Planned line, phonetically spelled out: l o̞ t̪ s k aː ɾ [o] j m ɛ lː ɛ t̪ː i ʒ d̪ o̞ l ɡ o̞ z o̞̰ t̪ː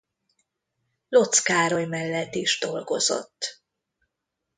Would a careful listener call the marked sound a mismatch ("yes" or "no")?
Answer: no